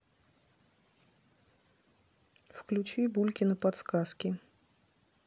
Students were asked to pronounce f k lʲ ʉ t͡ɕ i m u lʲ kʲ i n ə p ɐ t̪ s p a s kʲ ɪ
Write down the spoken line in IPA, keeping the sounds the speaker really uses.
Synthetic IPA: f k lʲ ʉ t͡ɕ i b u lʲ kʲ ɪ n ə p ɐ t̪ s k a s kʲ ɪ